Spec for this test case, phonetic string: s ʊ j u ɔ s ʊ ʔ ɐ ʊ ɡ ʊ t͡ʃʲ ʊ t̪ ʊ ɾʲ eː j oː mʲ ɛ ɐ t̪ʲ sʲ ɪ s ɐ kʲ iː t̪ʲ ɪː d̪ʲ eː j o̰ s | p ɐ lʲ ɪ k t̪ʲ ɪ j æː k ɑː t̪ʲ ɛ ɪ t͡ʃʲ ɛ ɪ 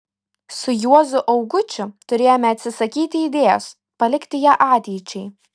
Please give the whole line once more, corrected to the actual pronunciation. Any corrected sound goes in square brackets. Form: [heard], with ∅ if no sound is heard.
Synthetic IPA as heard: s ʊ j u ɔ [z] ʊ ʔ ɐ ʊ ɡ ʊ t͡ʃʲ ʊ t̪ ʊ ɾʲ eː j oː mʲ ɛ ɐ t̪ʲ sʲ ɪ s ɐ kʲ iː t̪ʲ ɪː d̪ʲ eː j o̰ s | p ɐ lʲ ɪ k t̪ʲ ɪ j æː [ʔ] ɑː t̪ʲ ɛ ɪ t͡ʃʲ ɛ ɪ